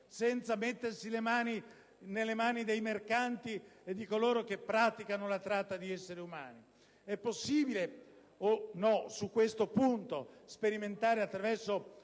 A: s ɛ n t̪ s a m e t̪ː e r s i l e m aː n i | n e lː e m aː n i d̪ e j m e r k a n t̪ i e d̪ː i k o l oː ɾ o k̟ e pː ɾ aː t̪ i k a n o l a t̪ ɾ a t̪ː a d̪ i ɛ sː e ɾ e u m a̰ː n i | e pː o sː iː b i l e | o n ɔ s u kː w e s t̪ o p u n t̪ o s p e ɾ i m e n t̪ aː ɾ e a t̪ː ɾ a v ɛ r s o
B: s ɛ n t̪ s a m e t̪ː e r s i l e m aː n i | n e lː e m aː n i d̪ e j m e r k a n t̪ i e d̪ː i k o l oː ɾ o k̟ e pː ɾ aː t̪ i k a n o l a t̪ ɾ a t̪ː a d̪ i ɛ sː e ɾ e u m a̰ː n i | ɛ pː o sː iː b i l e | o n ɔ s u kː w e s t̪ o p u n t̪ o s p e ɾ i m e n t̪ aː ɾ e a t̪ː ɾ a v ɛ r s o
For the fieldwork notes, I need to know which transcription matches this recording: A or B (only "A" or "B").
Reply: B